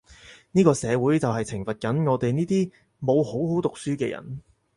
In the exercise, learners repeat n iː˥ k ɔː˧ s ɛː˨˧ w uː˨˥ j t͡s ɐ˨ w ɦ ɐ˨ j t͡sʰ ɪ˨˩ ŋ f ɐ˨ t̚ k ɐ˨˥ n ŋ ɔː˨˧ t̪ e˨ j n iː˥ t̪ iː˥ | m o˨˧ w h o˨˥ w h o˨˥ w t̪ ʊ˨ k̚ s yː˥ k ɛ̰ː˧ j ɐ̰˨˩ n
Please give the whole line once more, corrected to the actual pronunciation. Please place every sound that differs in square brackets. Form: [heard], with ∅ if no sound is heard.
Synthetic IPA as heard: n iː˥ k ɔː˧ s ɛː˨˧ w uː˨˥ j t͡s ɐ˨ w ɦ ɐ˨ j t͡sʰ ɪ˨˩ ŋ f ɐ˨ t̚ k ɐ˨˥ n ŋ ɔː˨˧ t̪ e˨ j n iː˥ t̪ iː˥ | m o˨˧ w h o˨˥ w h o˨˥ w t̪ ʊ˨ k̚ s yː˥ k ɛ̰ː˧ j ɐ̰˨˩ n